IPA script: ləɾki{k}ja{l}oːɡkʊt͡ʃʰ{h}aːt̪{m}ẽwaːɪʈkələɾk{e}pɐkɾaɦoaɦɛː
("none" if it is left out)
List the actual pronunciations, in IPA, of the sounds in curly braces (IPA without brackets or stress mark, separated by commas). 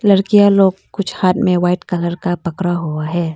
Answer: none, l, h, m, a